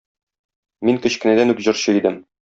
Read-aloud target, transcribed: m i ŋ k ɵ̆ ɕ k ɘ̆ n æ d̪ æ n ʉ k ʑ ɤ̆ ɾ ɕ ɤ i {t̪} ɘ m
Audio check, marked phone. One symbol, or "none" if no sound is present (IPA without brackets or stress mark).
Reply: d̪